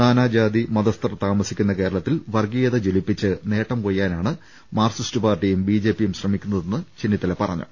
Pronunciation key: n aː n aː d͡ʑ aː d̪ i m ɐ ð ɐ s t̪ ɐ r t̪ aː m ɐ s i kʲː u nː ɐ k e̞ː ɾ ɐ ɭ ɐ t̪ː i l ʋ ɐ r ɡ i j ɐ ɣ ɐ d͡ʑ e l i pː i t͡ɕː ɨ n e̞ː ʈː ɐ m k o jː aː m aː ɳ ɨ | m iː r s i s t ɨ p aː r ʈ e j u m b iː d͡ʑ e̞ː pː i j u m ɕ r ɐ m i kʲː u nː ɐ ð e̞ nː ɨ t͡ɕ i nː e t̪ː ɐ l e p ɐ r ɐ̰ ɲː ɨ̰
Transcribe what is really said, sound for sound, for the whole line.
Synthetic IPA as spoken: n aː n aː d͡ʑ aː d̪ i m ɐ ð ɐ s t̪ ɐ r t̪ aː m ɐ s i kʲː u nː ɐ k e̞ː ɾ ɐ ɭ ɐ t̪ː i l ʋ ɐ r ɡ i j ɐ ð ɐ d͡ʑ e l i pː i t͡ɕː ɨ n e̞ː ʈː ɐ m k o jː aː n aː ɳ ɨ | m aː r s i s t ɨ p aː r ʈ i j u m b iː d͡ʑ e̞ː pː i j u m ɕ r ɐ m i kʲː u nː ɐ ð e̞ nː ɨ t͡ɕ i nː i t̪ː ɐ l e p ɐ r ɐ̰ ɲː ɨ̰